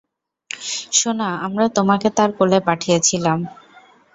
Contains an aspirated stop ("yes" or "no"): yes